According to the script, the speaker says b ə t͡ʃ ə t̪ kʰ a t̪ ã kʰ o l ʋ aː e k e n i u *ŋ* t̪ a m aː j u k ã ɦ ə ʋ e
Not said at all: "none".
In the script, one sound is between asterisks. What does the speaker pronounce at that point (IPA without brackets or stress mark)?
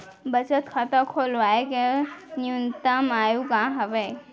n